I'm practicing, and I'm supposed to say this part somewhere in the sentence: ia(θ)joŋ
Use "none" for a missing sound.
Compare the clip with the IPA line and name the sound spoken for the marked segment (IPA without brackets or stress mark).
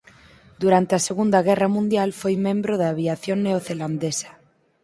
θ